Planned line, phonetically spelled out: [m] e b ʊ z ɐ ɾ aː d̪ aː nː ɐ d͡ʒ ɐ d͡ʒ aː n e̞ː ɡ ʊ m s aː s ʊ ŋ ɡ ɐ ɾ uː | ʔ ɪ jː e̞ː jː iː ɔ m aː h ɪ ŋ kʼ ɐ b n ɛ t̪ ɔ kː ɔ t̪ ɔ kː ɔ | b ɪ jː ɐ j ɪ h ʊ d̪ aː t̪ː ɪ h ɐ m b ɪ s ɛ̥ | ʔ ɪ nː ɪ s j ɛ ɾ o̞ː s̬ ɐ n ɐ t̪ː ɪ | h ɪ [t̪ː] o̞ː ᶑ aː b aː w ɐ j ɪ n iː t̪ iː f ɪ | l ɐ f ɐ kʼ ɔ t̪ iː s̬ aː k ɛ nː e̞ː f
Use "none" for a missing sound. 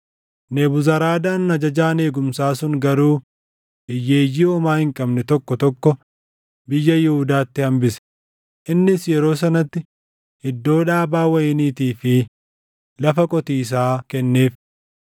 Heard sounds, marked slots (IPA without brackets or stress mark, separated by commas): n, d̪ː